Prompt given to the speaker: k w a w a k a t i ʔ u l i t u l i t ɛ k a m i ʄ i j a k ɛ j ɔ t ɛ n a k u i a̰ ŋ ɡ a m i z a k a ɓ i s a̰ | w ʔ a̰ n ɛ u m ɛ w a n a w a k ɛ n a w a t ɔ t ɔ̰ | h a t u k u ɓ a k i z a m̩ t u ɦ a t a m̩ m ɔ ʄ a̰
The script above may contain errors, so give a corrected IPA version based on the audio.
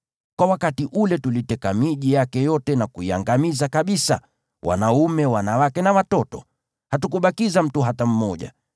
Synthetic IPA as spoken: k w a w a k a t i ʔ u l ɛ t u l i t ɛ k a m i ʄ i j a k ɛ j ɔ t ɛ n a k u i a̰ ŋ ɡ a m i z a k a ɓ i s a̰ | w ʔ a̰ n a u m ɛ w a n a w a k ɛ n a w a t ɔ t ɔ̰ | h a t u k u ɓ a k i z a m̩ t u ɦ a t a m̩ m ɔ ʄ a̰

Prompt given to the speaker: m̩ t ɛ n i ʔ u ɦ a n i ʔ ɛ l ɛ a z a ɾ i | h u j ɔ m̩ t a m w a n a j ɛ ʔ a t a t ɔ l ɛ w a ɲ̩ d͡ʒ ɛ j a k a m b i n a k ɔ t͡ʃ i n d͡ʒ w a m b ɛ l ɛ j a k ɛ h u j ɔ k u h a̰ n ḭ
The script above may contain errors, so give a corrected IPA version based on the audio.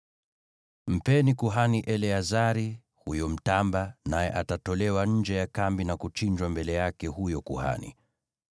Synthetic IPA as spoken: m̩ p ɛ n i k u ɦ a n i ʔ ɛ l ɛ a z a ɾ i | h u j ɔ m̩ t a m b a n a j ɛ ʔ a t a t ɔ l ɛ w a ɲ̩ d͡ʒ ɛ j a k a m b i n a k u t͡ʃ i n d͡ʒ w a m b ɛ l ɛ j a k ɛ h u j ɔ k u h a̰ n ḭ

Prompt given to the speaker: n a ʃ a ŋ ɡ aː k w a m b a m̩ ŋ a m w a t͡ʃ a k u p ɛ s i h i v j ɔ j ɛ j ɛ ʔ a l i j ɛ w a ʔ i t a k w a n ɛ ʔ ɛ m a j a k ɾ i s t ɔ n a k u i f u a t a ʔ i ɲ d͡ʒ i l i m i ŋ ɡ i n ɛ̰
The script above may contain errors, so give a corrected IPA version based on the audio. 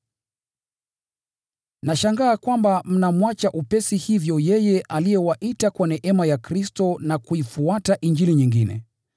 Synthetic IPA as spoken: n a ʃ a ŋ ɡ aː k w a m b a m̩ n a m w a t͡ʃ a ʔ u p ɛ s i h i v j ɔ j ɛ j ɛ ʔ a l i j ɛ w a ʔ i t a k w a n ɛ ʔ ɛ m a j a k ɾ i s t ɔ n a k u i f u a t a ʔ i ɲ d͡ʒ i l i ɲ i ŋ ɡ i n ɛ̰

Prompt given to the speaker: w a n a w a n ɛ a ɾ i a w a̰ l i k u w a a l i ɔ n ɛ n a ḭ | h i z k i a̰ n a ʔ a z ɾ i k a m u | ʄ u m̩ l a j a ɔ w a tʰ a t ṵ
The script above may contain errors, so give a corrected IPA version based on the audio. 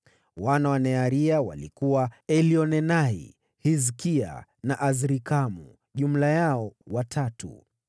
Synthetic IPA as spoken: w a n a w a n ɛ a ɾ i a w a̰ l i k u w a ɛ l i ɔ n ɛ n a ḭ | h i z k i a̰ n a ʔ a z ɾ i k a m u | ʄ u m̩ l a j a ɔ w a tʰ a t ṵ

